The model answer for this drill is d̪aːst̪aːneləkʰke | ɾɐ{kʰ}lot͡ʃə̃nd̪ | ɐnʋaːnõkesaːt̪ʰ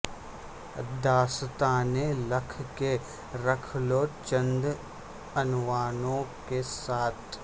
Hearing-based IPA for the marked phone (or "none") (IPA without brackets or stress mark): kʰ